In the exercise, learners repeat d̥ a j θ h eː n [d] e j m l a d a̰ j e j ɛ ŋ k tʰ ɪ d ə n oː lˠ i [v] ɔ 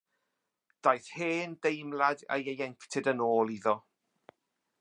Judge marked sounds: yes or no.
yes, no

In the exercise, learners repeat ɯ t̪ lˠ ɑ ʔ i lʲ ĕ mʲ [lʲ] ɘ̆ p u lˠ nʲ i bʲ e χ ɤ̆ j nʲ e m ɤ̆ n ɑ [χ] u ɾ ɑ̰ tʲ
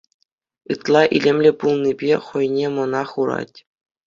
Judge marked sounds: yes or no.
yes, yes

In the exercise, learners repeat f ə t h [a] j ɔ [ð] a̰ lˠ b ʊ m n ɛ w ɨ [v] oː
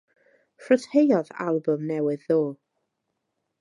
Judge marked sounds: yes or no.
no, yes, no

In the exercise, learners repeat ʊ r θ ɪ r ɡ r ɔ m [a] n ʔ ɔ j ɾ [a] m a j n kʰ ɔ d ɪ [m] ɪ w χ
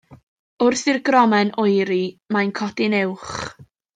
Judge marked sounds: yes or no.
no, no, no

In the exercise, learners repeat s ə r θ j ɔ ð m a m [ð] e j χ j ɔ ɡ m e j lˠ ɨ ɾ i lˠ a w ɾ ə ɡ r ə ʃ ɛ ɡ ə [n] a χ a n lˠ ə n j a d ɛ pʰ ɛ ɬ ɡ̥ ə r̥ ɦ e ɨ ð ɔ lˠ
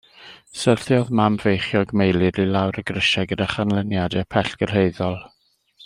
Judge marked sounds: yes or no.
no, no

